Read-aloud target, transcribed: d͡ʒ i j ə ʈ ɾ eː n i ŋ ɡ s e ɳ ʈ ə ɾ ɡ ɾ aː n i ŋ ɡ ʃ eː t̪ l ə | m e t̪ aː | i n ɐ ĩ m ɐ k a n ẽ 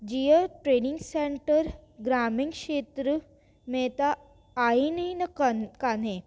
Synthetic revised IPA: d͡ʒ i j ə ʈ ɾ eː n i ŋ ɡ s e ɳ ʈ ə ɾ ɡ ɾ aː m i ŋ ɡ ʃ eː t̪ ɾ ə | m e t̪ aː | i n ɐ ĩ n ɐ k a n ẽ